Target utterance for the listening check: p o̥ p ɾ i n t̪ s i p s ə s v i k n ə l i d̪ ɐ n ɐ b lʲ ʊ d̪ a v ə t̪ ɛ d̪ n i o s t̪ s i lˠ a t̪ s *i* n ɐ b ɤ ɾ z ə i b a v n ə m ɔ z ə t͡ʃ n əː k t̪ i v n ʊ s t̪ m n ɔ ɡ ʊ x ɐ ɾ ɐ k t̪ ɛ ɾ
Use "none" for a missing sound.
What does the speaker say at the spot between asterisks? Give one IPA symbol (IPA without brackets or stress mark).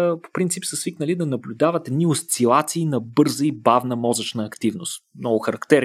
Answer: iː